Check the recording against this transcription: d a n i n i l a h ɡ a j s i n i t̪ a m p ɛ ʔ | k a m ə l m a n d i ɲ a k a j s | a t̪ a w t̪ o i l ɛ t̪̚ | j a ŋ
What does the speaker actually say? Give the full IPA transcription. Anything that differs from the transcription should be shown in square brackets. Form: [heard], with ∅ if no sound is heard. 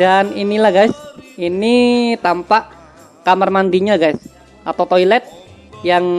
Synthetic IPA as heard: d a n i n i l a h ɡ a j s i n i t̪ a m p [a] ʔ | k a m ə [r] m a n d i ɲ a [ɡ] a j s | a t̪ a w t̪ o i l ɛ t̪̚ | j a ŋ